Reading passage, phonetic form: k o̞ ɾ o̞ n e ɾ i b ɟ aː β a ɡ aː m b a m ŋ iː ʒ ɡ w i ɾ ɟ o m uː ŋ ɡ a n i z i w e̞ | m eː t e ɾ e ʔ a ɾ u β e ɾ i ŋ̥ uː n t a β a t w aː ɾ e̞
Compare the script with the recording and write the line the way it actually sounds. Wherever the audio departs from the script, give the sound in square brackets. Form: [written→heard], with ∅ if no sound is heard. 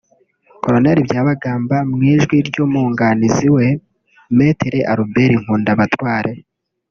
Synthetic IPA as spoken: k o̞ ɾ o̞ n e ɾ i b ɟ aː β a ɡ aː m b a m ŋ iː ʒ ɡ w i ɾ ɟ o m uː ŋ ɡ a n i z i w e̞ | m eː t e ɾ e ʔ a ɾ u [β→b] e ɾ i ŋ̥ uː n [t→d] a β a t w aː ɾ e̞